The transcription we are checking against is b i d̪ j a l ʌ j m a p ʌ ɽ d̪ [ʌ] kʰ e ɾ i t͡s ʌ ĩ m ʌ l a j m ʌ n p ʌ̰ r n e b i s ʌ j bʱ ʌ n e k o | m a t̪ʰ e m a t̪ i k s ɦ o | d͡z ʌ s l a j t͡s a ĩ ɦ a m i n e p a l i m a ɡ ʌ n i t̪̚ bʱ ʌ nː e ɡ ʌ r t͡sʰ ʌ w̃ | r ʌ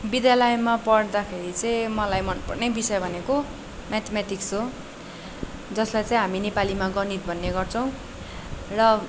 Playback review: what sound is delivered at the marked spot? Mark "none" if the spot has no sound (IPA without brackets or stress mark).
a